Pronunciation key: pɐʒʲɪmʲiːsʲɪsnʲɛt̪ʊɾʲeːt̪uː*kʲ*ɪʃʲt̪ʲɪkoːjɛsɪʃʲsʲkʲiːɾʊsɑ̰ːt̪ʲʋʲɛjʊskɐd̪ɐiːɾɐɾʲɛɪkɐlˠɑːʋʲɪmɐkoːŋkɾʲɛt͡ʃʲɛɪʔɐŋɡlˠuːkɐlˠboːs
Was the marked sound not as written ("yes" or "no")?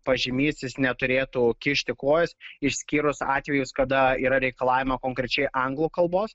no